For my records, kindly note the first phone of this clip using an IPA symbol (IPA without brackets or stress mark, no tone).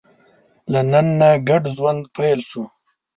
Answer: l